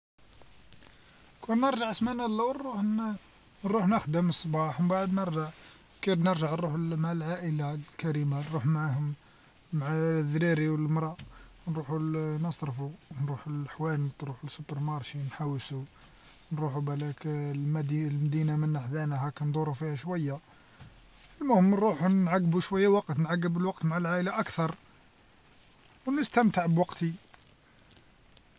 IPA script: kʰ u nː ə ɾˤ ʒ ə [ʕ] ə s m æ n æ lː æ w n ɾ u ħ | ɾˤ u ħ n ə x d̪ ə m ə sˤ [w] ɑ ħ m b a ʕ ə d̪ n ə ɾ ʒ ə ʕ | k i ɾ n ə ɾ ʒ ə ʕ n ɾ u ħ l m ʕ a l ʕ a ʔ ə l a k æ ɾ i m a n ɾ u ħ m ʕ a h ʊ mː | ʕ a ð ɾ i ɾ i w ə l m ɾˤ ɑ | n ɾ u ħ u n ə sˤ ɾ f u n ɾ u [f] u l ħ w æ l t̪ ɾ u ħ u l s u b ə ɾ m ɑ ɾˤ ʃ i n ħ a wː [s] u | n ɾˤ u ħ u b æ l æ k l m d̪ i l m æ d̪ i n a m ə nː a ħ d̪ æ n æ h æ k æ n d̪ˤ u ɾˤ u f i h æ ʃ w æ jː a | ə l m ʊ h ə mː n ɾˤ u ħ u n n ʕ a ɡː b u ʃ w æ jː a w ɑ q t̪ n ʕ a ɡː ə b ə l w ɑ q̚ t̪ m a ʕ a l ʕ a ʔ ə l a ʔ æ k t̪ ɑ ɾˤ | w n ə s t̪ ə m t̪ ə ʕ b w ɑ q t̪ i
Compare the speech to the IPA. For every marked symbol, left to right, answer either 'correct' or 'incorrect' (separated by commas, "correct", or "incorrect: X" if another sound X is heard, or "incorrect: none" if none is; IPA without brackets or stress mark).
correct, incorrect: b, incorrect: ħ, correct